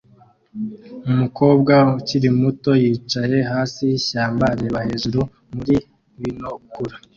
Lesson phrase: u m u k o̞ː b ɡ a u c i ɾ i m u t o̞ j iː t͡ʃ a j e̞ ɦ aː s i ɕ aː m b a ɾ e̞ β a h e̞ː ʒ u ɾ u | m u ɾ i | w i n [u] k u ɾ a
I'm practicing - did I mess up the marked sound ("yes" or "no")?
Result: yes